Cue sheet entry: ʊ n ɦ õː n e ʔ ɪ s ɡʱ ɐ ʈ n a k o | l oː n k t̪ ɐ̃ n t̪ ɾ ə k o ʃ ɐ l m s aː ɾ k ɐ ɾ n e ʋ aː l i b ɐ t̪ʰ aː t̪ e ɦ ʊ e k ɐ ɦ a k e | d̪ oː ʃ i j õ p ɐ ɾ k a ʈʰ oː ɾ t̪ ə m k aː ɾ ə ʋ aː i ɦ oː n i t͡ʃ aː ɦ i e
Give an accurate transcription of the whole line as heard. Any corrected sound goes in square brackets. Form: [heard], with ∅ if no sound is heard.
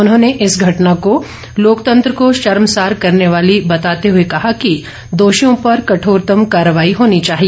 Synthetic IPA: ʊ n ɦ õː n e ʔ ɪ s ɡʱ ɐ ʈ n a k o | l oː [∅] k t̪ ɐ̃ n t̪ ɾ ə k o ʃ ɐ [ɾ] m s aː ɾ k ɐ ɾ n e ʋ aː l i b ɐ [t̪] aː t̪ e ɦ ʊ e k ɐ ɦ a k [i] | d̪ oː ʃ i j õ p ɐ ɾ k [ɐ] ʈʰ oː ɾ t̪ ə m k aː ɾ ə ʋ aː i ɦ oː n i t͡ʃ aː ɦ i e